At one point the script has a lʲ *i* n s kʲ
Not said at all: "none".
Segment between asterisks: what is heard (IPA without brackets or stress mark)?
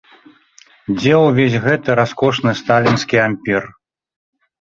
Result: i